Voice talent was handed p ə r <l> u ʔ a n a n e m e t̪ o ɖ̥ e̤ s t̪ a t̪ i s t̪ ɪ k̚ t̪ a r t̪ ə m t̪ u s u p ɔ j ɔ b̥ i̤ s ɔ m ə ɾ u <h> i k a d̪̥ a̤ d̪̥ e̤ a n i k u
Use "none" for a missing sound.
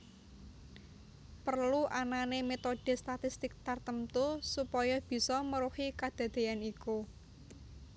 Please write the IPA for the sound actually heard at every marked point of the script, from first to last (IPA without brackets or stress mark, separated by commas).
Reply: l, h